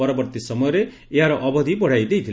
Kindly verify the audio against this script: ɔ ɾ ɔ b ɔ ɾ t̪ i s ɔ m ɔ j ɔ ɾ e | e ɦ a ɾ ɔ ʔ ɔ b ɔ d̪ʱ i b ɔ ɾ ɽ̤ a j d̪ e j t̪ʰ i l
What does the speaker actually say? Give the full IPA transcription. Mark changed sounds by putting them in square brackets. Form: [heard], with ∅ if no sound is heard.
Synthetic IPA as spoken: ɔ ɾ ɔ b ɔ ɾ t̪ i s ɔ m ɔ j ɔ ɾ e | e ɦ a ɾ ɔ ʔ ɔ b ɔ d̪ʱ i b ɔ [∅] ɽ̤ a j d̪ e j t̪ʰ i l

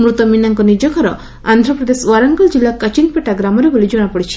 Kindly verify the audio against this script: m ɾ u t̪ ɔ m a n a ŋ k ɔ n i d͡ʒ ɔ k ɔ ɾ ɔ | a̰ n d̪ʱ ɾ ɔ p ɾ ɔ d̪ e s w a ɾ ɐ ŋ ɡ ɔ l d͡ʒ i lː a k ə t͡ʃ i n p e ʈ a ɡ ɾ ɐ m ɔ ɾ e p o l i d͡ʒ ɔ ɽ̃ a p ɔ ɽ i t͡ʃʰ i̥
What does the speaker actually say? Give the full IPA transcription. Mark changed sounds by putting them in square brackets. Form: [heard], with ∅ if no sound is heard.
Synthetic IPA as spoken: m ɾ u t̪ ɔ m [i] n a ŋ k ɔ n i d͡ʒ ɔ k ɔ ɾ ɔ | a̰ n d̪ʱ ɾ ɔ p ɾ ɔ d̪ e s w a ɾ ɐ ŋ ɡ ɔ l d͡ʒ i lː a k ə t͡ʃ i n p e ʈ a ɡ ɾ [a] m ɔ ɾ e [b] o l i d͡ʒ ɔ ɽ̃ a p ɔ ɽ i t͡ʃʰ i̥

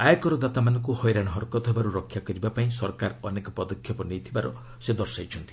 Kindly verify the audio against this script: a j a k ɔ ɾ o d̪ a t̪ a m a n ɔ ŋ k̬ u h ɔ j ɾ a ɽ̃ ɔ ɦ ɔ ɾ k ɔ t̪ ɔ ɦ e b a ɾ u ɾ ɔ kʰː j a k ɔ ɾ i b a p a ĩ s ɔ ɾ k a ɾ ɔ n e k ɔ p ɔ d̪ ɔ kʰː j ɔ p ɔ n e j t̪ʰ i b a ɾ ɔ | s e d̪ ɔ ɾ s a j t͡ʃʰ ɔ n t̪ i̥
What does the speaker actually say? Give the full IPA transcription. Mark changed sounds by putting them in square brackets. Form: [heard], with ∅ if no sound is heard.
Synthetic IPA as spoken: a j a k ɔ ɾ [ɔ] d̪ a t̪ a m a n ɔ ŋ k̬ u h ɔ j ɾ a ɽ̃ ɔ ɦ ɔ ɾ k ɔ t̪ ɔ ɦ e b a ɾ u ɾ ɔ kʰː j a k ɔ ɾ i b a p a ĩ s ɔ ɾ k a ɾ ɔ n e k ɔ p ɔ d̪ ɔ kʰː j ɔ p ɔ n e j t̪ʰ i b a ɾ ɔ | s e d̪ ɔ ɾ s a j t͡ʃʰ ɔ n t̪ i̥

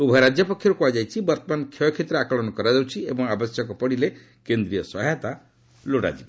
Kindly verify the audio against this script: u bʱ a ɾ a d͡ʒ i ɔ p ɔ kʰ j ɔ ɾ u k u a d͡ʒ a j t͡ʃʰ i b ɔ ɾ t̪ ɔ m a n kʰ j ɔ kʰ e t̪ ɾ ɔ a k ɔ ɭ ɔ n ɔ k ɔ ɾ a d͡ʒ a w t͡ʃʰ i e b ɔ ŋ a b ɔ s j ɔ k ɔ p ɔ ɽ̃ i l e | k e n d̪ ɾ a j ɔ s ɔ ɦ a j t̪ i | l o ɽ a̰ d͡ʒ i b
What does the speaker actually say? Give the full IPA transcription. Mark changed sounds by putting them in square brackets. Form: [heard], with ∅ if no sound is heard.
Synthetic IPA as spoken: u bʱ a ɾ a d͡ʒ [j] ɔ p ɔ kʰ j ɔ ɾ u k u a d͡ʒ a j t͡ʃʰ i b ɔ ɾ t̪ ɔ m a n kʰ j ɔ kʰ e t̪ ɾ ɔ a k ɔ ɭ ɔ n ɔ k ɔ ɾ a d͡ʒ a w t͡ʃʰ i e b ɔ ŋ a b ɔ s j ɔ k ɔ p ɔ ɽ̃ i l e | k e n d̪ ɾ [i] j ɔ s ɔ ɦ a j t̪ [a] | l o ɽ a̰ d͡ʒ i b

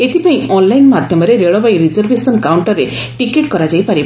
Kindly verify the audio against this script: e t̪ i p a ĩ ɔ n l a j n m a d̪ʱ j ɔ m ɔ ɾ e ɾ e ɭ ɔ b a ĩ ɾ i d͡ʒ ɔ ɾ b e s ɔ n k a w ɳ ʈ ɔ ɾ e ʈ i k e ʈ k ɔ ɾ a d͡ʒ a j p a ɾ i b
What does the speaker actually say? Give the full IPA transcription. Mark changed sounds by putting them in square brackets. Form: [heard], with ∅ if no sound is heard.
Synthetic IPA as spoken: e t̪ i p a ĩ ɔ n l a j n m a d̪ʱ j ɔ m ɔ ɾ e ɾ e ɭ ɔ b a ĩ ɾ i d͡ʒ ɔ ɾ b e s ɔ n k a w ɳ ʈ ɔ ɾ e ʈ i k e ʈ k ɔ ɾ a d͡ʒ a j p a ɾ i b

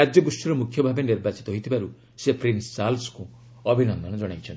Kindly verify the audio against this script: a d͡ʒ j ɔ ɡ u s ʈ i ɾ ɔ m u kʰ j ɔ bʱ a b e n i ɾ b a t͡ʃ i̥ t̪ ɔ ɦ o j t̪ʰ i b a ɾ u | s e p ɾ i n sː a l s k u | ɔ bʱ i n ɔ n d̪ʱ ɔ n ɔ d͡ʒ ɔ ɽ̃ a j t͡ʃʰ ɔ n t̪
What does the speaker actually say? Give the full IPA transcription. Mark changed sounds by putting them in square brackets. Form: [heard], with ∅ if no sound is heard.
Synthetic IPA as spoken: a d͡ʒ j ɔ ɡ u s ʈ i ɾ ɔ m u kʰ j ɔ bʱ a b e n i ɾ b a t͡ʃ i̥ t̪ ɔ ɦ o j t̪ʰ i b a ɾ u | s e p ɾ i n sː a l s k u | ɔ bʱ i n ɔ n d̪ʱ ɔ n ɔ d͡ʒ ɔ ɽ̃ a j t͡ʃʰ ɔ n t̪

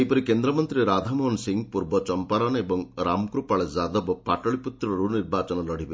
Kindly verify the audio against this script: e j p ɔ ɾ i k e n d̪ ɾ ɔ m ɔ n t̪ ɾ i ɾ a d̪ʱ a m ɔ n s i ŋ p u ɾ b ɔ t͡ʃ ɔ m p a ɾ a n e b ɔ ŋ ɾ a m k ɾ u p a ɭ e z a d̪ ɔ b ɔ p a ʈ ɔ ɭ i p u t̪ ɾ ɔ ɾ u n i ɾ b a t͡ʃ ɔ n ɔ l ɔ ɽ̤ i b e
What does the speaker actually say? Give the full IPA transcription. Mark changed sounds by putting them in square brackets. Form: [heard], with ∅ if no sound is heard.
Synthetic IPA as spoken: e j p ɔ ɾ i k e n d̪ ɾ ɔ m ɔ n t̪ ɾ i ɾ a d̪ʱ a m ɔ n s i ŋ p u ɾ b ɔ t͡ʃ ɔ m p a ɾ a n e b ɔ ŋ ɾ a m k ɾ u p a ɭ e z a d̪ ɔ b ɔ p a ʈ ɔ ɭ i p u t̪ ɾ ɔ ɾ u n i ɾ b a t͡ʃ ɔ n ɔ l ɔ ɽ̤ i b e

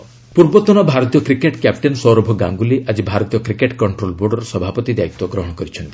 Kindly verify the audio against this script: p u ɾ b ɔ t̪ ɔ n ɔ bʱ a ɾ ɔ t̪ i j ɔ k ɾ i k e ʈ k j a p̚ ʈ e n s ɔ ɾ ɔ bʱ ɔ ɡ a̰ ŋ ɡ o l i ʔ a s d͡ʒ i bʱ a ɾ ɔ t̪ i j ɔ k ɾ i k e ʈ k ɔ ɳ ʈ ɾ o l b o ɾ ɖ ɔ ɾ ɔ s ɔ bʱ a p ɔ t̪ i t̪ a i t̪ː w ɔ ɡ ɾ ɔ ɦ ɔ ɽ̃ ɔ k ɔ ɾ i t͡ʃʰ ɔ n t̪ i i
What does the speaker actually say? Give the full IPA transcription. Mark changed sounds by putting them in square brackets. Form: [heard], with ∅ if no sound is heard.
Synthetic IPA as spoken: p u ɾ b ɔ t̪ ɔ n ɔ bʱ a ɾ ɔ t̪ i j ɔ k ɾ i k e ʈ k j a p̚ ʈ e n s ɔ ɾ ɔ bʱ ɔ ɡ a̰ ŋ ɡ [u] l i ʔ a [∅] d͡ʒ i bʱ a ɾ ɔ t̪ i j ɔ k ɾ i k e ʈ k ɔ ɳ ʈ ɾ o l b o ɾ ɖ ɔ ɾ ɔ s ɔ bʱ a p ɔ t̪ i [d̪] a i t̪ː w ɔ ɡ ɾ ɔ ɦ ɔ ɽ̃ ɔ k ɔ ɾ i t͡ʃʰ ɔ n t̪ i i

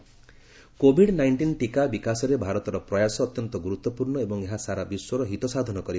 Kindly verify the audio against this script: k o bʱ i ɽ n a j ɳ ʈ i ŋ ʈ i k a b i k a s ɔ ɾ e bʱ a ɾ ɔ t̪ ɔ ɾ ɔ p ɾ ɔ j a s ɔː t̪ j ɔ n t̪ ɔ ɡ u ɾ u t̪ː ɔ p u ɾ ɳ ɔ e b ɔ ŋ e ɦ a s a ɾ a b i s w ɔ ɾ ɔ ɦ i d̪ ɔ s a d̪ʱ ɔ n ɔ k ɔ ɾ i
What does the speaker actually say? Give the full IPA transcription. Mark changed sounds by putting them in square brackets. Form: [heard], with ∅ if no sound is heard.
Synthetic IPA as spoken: k o bʱ i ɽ n a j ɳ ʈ i [n] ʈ i k a b i k a s ɔ ɾ e bʱ a ɾ ɔ t̪ ɔ ɾ ɔ p ɾ ɔ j a s ɔː t̪ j ɔ n t̪ ɔ ɡ u ɾ u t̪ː ɔ p u ɾ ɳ ɔ e b ɔ ŋ e ɦ a s a ɾ a b i s w ɔ ɾ ɔ ɦ i [t̪] ɔ s a d̪ʱ ɔ n ɔ k ɔ ɾ i

